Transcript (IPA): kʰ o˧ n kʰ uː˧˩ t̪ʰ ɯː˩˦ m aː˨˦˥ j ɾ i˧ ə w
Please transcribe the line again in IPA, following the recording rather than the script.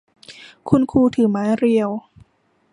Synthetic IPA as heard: kʰ u˧ n kʰ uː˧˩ t̪ʰ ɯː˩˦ m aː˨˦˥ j ɾ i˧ ə w